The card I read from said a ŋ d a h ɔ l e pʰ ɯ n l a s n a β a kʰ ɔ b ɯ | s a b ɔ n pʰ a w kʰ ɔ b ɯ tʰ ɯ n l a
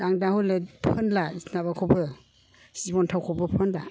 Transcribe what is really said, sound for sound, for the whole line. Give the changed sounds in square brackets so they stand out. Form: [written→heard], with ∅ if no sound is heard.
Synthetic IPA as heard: a ŋ d a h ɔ l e pʰ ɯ n l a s n a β a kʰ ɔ b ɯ | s [a→i] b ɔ n [pʰ→tʰ] a w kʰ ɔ b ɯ [tʰ→pʰ] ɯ n l a